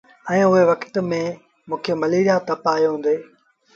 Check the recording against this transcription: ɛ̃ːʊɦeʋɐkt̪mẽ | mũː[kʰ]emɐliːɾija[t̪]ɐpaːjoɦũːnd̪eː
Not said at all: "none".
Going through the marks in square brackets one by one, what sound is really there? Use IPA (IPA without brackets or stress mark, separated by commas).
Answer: kʰ, t̪